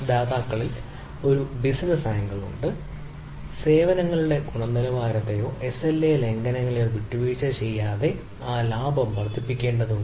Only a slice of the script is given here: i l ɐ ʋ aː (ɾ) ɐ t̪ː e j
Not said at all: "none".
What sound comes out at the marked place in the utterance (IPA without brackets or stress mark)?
ɾ